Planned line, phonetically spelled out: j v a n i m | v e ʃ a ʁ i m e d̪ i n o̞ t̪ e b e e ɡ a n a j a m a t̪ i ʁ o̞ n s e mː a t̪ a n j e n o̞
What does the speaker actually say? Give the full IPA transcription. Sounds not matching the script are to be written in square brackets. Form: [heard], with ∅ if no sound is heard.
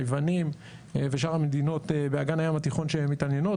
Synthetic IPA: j v a n i m | v e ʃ a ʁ [a] m e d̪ i n o̞ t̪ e b e [a] ɡ a n a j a m a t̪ i [χ] o̞ n [ʃ] e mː [i] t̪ a n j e n o̞